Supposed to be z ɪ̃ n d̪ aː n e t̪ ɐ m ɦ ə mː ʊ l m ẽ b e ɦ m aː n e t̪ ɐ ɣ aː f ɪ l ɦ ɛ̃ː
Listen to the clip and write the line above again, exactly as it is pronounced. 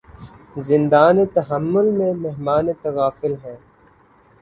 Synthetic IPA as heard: z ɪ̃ n d̪ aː n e t̪ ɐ ɦ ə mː ʊ l m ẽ m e ɦ m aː n e t̪ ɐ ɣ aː f ɪ l ɦ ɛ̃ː